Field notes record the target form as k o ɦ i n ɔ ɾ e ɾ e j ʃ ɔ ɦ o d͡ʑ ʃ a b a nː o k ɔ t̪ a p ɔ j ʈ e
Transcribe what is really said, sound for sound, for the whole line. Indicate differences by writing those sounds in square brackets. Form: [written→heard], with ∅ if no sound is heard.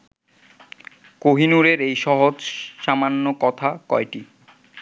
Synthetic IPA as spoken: k o ɦ i n [ɔ→u] ɾ e ɾ e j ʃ ɔ ɦ o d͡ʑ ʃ a [b→m] a nː o k ɔ [t̪→t̪ʰ] a [p→k] ɔ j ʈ [e→i]